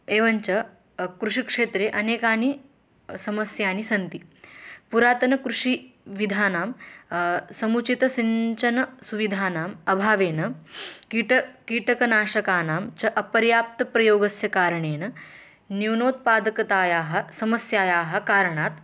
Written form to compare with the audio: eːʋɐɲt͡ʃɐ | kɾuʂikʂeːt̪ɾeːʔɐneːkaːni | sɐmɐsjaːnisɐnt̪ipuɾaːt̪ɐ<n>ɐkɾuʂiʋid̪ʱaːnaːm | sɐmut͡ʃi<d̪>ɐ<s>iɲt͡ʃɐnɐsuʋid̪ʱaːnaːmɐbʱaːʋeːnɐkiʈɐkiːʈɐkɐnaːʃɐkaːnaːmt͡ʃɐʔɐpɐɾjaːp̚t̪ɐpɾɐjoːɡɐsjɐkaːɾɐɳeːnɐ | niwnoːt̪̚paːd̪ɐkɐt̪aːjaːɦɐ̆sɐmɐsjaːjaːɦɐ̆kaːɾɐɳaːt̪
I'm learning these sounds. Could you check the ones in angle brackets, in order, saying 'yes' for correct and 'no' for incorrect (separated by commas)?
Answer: yes, no, yes